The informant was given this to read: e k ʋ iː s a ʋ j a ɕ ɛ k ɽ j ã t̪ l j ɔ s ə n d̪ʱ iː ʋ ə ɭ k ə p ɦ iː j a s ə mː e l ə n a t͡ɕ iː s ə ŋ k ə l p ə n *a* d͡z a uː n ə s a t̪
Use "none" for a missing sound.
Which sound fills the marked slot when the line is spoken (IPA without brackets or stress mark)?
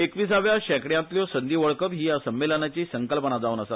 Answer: a